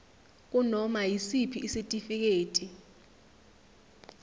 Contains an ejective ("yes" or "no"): yes